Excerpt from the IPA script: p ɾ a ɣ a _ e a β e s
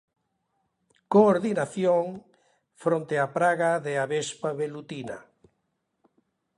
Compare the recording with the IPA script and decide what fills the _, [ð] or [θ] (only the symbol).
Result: ð